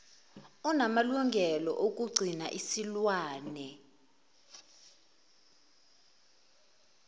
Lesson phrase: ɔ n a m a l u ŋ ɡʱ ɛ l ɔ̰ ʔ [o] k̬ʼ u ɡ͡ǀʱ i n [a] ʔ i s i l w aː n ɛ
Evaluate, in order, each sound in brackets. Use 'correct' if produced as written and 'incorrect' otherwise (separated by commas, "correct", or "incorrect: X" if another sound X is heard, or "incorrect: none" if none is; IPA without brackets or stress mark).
correct, correct